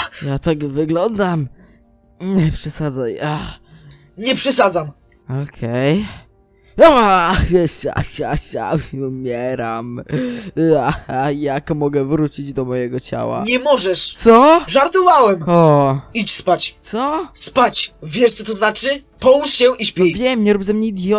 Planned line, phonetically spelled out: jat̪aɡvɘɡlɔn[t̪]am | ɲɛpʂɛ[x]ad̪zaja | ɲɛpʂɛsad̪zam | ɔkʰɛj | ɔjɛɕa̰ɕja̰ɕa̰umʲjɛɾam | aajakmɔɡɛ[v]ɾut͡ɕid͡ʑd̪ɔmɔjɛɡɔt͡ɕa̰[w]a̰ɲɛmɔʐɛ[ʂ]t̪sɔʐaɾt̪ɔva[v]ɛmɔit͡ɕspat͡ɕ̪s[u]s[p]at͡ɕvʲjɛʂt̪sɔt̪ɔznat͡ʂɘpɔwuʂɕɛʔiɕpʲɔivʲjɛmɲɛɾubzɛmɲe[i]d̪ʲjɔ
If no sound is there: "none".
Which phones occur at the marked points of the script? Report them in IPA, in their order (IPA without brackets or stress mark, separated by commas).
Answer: d̪, s, v, w, ʂ, w, ɔ, p, i